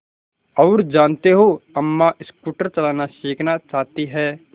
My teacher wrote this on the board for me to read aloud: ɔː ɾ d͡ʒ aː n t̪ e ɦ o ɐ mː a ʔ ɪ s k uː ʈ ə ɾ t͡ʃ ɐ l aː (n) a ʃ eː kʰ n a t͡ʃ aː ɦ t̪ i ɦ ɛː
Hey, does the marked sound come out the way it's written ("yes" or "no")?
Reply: yes